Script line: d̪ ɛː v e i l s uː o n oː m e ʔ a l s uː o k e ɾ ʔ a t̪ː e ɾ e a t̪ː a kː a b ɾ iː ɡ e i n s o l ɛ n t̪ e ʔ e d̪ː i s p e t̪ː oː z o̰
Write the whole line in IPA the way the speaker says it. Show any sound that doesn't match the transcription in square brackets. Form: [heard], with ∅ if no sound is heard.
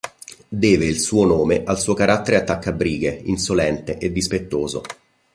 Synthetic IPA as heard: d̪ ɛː v e i l s uː o n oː m e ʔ a l s uː o k [a] ɾ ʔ a t̪ː e ɾ e a t̪ː a kː a b ɾ iː ɡ e i n s o l ɛ n t̪ e ʔ e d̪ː i s p e t̪ː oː z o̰